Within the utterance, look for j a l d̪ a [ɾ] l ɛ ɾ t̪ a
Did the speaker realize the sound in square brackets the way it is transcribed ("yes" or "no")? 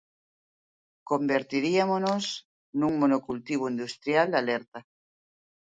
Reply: no